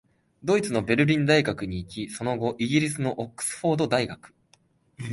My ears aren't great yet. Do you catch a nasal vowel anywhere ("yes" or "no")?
yes